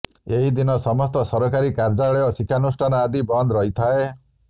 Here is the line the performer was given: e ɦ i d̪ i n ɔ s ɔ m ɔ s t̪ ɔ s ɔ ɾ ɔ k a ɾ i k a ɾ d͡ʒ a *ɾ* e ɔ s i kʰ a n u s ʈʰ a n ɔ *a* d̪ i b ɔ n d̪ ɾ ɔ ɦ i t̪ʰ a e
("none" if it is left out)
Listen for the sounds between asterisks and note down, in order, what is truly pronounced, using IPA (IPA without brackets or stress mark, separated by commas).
ɭ, a